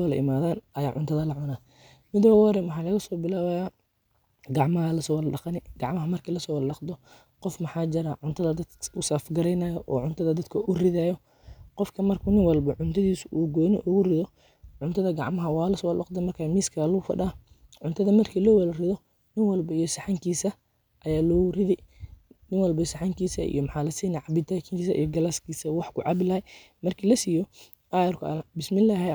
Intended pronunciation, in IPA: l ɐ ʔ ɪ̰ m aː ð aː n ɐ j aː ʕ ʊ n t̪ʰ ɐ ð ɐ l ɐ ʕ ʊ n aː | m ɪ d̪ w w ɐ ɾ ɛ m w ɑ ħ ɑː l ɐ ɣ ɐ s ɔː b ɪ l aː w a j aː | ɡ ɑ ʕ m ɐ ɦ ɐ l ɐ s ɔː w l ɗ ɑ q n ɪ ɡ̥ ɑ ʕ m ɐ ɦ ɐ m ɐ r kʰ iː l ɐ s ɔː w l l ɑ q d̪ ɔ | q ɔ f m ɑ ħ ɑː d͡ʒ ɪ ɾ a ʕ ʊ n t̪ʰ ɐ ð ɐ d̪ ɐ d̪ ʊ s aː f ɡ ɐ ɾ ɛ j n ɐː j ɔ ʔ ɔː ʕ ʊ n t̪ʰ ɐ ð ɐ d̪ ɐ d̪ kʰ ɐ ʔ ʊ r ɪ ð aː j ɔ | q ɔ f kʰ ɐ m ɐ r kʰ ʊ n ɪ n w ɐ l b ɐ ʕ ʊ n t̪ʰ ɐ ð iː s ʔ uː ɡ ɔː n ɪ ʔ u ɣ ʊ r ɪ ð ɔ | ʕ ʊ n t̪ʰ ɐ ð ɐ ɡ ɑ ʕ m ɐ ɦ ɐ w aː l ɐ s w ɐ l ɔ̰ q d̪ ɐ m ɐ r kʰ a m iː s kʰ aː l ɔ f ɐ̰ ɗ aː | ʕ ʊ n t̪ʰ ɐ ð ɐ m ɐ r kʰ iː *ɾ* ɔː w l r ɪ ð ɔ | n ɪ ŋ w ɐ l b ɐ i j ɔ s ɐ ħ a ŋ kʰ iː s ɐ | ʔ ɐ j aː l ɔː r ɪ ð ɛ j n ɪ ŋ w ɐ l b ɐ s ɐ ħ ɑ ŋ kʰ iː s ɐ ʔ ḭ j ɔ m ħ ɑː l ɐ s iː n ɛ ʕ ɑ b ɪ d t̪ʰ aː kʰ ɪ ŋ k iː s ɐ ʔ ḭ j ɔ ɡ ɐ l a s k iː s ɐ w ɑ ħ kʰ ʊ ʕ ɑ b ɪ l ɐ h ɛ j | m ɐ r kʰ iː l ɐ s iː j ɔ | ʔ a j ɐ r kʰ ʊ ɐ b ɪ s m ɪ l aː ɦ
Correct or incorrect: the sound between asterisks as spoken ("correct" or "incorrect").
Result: incorrect